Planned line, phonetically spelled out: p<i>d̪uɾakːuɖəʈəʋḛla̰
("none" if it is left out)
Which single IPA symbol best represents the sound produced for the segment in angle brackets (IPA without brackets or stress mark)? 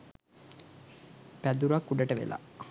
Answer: æ